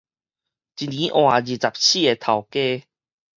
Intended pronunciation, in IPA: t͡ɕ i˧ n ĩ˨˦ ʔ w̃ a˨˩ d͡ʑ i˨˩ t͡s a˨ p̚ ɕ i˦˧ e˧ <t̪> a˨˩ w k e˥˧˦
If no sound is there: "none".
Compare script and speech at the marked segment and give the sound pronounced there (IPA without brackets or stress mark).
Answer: t̪ʰ